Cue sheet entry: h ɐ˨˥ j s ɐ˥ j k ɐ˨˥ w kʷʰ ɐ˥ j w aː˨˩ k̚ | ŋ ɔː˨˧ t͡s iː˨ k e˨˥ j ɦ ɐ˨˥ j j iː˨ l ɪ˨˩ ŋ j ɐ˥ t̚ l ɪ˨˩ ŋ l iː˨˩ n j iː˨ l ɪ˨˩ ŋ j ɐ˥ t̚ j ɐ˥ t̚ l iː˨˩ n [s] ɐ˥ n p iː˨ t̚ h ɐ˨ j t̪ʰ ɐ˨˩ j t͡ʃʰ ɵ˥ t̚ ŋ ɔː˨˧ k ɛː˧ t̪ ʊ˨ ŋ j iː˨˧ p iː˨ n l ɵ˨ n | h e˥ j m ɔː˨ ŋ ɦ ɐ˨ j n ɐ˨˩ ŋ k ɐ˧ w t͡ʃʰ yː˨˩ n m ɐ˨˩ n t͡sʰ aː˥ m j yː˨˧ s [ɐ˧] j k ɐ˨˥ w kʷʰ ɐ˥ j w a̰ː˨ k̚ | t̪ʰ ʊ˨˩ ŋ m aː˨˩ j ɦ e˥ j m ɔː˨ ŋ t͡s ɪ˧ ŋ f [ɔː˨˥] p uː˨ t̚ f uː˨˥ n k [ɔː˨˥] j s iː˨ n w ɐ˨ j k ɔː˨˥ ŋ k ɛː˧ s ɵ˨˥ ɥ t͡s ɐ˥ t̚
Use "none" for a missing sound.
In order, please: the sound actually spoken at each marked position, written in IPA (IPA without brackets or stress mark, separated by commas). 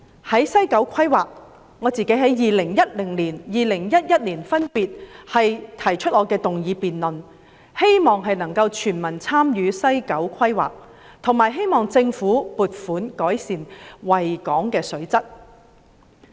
f, ɐ˥, uː˨˥, ɔː˨˥